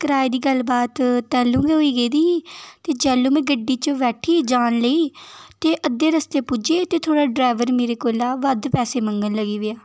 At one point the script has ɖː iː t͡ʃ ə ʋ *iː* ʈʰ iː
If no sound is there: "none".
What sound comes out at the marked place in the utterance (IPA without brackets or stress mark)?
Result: ɛː